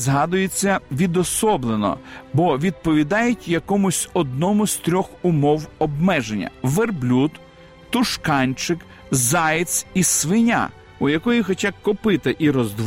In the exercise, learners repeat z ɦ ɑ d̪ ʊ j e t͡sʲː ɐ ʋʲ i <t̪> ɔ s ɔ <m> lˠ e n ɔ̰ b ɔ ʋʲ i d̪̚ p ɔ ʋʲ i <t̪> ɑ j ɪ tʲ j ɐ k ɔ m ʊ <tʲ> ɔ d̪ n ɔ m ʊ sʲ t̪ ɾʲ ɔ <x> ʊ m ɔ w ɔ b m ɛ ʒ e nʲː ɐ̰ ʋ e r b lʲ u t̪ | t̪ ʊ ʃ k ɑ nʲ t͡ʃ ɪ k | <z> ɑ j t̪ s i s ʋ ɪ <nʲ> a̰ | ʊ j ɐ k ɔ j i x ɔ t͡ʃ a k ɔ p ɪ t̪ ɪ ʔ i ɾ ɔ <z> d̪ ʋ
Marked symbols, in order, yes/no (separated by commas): no, no, no, no, yes, yes, yes, yes